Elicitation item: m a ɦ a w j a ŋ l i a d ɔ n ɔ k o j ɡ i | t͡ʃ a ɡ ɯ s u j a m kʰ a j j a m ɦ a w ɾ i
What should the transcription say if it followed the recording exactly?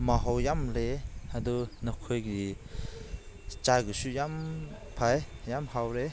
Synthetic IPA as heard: m a ɦ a w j a m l e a d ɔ n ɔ kʰ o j ɡ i | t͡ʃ a ɡ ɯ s u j a m pʰ a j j a m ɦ a w ɾ e

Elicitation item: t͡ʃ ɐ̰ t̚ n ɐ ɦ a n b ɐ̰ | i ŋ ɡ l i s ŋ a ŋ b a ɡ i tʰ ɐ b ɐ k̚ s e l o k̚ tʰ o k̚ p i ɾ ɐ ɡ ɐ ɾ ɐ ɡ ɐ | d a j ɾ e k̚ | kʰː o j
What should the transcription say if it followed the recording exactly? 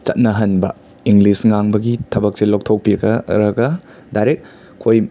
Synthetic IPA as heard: t͡ʃ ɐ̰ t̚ n ɐ ɦ ɐ n b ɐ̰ | i ŋ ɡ l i s ŋ a ŋ b ɐ ɡ i tʰ ɐ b ɐ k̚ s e l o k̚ tʰ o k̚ p i ɾ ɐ ɡ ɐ ɾ ɐ ɡ ɐ | d a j ɾ e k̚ | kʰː o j

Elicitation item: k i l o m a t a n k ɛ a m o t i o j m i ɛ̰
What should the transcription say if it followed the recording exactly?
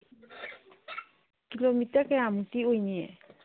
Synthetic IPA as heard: k i l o m i t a k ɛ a m u t i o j n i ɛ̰

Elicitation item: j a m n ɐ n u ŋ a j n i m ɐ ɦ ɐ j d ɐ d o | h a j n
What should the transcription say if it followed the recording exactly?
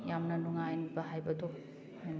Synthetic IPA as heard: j a m n ɐ n u ŋ a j n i b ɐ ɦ a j b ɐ d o | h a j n

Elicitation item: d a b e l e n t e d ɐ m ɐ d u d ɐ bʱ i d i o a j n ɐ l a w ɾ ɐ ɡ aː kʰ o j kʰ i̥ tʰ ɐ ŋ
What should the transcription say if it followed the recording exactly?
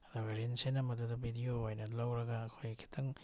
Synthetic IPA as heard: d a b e ɾ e n s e n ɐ m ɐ d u d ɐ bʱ i d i o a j n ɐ l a w ɾ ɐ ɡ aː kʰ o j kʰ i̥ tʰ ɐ ŋ

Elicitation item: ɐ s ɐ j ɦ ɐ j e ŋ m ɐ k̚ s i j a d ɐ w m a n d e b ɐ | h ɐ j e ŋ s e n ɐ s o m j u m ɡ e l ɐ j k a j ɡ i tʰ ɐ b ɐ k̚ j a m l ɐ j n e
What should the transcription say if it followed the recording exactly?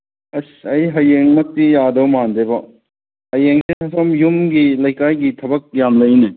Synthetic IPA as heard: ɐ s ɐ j ɦ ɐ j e ŋ m ɐ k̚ t i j a d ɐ w m a n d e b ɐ | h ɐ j e ŋ s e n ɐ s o m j u m ɡ i l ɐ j k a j ɡ i tʰ ɐ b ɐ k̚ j a m l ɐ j n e

